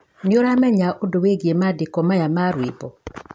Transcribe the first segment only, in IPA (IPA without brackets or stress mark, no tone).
n